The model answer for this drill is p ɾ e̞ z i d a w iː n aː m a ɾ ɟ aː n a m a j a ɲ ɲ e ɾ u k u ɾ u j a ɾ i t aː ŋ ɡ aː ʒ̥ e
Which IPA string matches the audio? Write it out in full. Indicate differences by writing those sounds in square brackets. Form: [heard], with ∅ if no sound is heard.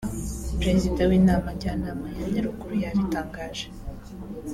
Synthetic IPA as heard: p ɾ e̞ z i d a w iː n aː m a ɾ ɟ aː n a m a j a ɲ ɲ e ɾ u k u ɾ u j a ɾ i t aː ŋ ɡ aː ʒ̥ e